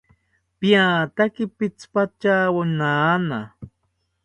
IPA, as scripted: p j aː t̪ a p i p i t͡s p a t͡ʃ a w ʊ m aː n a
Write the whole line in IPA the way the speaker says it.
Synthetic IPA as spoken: p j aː t̪ a k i p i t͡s p a t͡ʃ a w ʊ n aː n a